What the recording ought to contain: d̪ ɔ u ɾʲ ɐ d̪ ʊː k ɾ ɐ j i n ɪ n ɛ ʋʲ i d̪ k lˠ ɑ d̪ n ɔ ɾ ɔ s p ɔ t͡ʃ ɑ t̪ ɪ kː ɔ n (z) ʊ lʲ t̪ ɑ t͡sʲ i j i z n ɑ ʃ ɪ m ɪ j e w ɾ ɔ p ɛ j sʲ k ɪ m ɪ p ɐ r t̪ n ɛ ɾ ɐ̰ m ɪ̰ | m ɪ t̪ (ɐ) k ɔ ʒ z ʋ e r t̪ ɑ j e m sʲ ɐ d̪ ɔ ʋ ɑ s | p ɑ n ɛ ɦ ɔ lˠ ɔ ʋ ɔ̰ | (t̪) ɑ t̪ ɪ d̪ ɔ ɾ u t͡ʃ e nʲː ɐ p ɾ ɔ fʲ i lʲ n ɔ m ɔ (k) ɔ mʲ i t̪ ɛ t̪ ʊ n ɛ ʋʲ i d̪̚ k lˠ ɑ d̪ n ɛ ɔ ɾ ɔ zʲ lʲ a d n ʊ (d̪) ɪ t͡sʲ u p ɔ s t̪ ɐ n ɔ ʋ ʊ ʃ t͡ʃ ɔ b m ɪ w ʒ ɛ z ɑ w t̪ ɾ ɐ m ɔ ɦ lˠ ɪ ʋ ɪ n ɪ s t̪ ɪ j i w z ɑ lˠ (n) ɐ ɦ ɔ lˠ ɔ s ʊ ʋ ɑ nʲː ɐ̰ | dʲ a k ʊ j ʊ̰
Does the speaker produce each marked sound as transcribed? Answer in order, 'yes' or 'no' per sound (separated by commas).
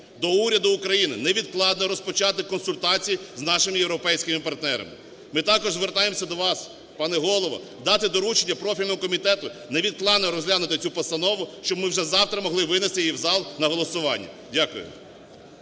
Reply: no, no, no, yes, no, yes